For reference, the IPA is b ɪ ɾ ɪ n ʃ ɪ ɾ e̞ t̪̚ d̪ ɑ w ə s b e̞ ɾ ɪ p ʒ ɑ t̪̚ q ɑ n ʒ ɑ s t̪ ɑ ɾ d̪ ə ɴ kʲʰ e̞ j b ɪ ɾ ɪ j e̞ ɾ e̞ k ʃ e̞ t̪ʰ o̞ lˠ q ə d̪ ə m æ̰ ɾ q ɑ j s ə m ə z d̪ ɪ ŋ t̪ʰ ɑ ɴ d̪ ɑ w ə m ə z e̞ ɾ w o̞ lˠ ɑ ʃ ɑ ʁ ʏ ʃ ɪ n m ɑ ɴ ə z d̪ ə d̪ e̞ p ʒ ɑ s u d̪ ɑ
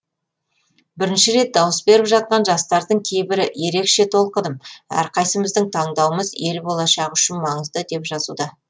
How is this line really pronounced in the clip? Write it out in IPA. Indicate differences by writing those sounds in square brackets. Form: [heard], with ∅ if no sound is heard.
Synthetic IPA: b ɪ ɾ ɪ n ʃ ɪ ɾ e̞ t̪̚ d̪ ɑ w ə s b e̞ ɾ ɪ p ʒ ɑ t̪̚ q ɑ n ʒ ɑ s t̪ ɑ ɾ d̪ ə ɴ kʲʰ e̞ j b ɪ ɾ ɪ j e̞ ɾ e̞ k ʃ e̞ t̪ʰ o̞ lˠ q ə d̪ ə m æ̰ ɾ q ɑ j s ə m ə z d̪ ɪ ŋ t̪ʰ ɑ ɴ d̪ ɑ w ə m ə z e̞ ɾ [b] o̞ lˠ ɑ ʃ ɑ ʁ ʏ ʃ ɪ n m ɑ ɴ ə z d̪ ə d̪ e̞ p ʒ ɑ [z] u d̪ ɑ